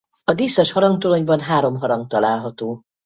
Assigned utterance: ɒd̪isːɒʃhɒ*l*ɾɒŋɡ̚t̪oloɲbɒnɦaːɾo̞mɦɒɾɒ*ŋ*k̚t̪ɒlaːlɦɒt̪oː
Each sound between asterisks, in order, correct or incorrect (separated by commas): incorrect, correct